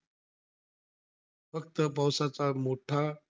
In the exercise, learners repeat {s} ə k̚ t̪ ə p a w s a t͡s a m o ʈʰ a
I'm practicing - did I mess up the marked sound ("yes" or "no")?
yes